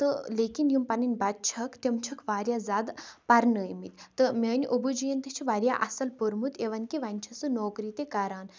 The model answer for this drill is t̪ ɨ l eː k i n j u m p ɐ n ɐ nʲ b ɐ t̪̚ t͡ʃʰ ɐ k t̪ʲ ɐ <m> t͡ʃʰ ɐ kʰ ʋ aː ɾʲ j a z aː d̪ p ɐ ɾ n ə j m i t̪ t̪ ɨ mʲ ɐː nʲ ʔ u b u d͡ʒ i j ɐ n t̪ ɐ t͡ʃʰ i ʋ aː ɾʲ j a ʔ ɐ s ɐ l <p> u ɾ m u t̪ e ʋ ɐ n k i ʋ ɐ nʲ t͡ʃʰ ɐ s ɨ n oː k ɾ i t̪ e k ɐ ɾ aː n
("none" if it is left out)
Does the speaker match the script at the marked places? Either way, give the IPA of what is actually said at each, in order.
m, p

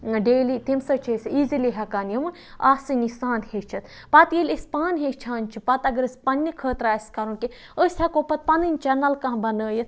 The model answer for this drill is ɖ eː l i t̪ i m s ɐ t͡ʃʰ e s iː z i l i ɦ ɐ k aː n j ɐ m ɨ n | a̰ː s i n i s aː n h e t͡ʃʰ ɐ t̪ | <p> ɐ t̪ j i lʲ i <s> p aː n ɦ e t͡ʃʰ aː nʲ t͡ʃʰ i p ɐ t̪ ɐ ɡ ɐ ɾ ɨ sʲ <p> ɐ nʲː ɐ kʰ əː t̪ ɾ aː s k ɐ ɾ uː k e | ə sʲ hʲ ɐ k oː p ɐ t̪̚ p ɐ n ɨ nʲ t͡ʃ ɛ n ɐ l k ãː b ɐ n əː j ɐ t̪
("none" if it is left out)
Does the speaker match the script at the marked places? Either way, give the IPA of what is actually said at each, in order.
p, s, p

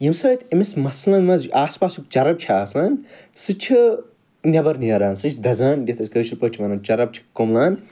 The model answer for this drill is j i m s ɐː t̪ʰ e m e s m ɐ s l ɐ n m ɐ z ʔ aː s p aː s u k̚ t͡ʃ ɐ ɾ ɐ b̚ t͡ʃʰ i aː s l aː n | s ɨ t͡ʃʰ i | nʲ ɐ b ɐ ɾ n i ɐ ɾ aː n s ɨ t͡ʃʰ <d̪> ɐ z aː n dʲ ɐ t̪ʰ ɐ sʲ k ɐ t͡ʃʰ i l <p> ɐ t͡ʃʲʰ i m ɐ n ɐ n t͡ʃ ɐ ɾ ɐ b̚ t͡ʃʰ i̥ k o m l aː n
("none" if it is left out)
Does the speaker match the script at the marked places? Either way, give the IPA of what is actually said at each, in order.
d̪, p

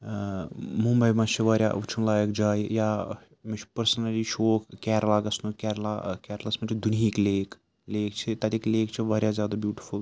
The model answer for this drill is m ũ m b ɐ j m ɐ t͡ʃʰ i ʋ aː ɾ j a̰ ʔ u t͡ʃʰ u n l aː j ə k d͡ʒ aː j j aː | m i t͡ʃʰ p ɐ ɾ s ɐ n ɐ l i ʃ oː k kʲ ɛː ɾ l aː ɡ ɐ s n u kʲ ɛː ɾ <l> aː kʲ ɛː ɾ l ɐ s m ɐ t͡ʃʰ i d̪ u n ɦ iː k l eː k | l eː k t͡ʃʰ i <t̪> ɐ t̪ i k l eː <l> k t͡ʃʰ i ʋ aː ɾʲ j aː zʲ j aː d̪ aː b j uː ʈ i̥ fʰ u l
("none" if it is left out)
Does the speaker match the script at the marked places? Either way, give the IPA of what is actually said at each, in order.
l, t̪, none

